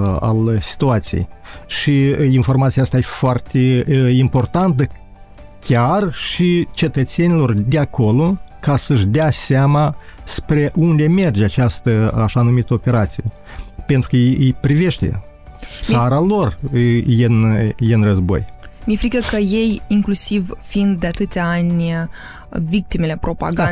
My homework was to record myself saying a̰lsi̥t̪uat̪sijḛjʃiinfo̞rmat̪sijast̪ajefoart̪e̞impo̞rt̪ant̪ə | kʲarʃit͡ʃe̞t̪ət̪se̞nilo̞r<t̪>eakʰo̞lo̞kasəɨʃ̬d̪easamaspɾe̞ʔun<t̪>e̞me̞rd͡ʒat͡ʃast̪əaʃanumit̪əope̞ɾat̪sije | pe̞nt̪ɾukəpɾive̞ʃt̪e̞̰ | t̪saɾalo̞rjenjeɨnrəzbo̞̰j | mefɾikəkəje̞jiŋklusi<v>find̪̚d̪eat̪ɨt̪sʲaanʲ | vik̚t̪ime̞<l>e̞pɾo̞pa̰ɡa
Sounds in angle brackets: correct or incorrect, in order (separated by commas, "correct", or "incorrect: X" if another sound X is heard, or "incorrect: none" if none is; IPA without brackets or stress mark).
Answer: incorrect: d̪, incorrect: d̪, correct, correct